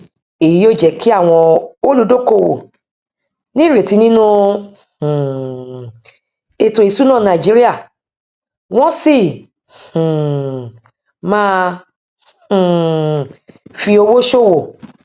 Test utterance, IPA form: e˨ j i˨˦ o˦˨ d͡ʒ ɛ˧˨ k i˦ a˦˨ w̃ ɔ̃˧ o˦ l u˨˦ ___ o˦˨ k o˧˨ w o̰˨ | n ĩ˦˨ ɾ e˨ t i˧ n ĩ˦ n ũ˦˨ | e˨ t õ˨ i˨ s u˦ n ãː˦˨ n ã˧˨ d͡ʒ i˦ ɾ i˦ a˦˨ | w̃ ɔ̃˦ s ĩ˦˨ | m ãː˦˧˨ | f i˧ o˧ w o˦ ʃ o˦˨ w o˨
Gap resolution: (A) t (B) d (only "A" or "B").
B